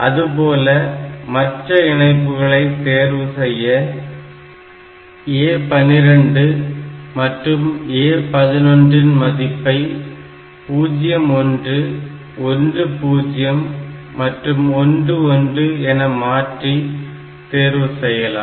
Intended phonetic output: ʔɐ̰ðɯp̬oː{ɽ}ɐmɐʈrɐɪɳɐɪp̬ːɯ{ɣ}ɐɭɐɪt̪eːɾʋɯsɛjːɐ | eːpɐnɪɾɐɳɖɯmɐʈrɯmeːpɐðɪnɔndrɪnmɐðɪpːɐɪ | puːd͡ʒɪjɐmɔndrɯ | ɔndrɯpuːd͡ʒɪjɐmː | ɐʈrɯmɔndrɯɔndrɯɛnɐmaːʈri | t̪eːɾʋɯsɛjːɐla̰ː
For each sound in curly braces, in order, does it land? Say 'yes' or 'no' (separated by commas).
no, yes